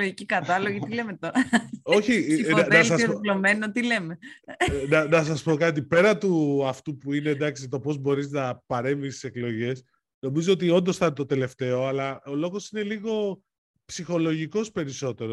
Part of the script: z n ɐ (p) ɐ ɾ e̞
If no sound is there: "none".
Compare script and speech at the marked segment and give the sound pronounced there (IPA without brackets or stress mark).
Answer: p